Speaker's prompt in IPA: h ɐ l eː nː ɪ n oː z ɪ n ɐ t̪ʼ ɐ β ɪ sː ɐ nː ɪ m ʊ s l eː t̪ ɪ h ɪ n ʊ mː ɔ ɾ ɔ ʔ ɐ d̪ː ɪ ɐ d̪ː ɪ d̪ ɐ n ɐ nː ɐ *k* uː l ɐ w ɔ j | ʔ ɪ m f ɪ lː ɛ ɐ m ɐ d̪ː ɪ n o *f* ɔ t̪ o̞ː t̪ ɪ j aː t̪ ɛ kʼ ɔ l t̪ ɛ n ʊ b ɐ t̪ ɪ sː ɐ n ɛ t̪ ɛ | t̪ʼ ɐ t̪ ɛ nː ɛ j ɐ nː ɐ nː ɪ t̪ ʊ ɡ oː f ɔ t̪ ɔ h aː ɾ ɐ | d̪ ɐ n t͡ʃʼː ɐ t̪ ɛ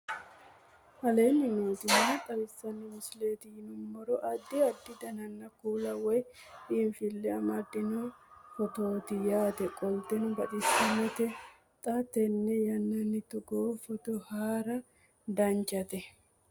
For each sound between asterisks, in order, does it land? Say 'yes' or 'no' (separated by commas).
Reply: yes, yes